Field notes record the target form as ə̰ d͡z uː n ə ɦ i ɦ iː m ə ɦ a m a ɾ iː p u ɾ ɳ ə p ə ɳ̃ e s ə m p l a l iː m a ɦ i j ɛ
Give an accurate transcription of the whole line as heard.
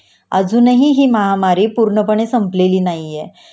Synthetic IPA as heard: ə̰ d͡z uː n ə ɦ i ɦ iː m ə ɦ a m a ɾ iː p u ɾ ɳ ə p ə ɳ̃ e s ə m p l e l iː n a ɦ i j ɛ